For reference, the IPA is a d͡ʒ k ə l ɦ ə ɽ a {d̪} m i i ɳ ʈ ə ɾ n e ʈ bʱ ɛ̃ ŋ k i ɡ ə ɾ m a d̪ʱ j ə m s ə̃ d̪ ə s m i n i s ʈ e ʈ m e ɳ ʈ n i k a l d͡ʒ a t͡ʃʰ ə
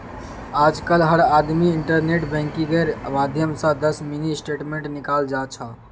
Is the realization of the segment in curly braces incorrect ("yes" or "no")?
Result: no